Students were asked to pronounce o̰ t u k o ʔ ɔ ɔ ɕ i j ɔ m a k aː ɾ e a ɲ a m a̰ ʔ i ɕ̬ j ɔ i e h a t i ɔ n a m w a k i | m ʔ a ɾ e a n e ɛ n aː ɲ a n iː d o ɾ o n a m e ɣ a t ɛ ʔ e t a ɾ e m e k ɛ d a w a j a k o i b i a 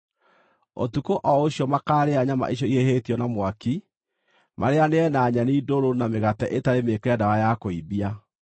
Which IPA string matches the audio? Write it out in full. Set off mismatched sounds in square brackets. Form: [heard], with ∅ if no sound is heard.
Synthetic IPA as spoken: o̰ t u k o ʔ ɔ [o] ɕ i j ɔ m a k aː ɾ e a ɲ a m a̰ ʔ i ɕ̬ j ɔ i e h [e] t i ɔ n a m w a k i | m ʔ a ɾ e a n e ɛ n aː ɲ a n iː d o ɾ o n a m e ɣ a t ɛ ʔ e t a ɾ e m e k ɛ d a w a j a k o i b i a